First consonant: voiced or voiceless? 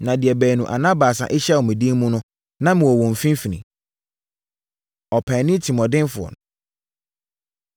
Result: voiced